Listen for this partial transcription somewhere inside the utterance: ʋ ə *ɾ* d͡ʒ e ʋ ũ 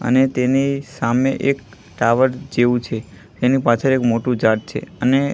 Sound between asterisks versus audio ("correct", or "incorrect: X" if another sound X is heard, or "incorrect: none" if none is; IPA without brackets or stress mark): correct